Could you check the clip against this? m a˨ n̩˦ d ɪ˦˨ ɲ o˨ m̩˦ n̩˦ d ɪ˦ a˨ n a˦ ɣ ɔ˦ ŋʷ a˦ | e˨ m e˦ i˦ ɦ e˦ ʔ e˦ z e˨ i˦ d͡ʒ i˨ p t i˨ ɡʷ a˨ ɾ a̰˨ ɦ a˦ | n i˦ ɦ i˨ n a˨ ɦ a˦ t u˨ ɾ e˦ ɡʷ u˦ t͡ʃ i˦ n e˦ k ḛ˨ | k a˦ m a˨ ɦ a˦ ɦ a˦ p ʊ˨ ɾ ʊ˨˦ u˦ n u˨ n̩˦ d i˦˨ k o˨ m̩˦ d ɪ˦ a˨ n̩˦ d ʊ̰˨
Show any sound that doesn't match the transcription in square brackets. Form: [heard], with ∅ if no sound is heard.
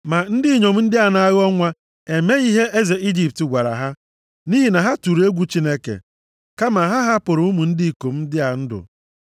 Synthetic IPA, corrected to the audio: m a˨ n̩˦ d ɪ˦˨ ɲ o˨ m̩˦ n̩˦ d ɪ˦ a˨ n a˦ ɣ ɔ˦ ŋʷ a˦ | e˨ m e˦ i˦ ɦ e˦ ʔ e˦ z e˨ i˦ d͡ʒ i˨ p t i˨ ɡʷ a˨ ɾ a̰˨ ɦ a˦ | n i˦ ɦ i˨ n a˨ ɦ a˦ t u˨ ɾ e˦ ɡʷ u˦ t͡ʃ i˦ n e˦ k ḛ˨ | k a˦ m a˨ ɦ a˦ ɦ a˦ p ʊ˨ ɾ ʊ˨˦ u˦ [m] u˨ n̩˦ d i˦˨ k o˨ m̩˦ d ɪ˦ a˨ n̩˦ d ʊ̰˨